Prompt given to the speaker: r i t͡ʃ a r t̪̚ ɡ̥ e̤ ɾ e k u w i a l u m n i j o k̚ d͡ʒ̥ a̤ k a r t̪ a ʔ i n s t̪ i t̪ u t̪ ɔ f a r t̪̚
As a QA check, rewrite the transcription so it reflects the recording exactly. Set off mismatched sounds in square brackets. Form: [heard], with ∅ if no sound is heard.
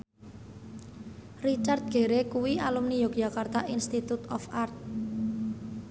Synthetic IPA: r i t͡ʃ a r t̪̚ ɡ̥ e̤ ɾ e k u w i a l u m n i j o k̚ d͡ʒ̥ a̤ k a r t̪ a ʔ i n s t̪ i t̪ u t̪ ɔ f a r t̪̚